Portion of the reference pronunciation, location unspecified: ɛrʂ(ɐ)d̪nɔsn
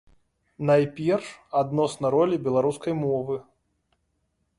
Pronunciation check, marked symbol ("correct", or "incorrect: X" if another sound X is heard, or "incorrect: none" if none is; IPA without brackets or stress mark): incorrect: a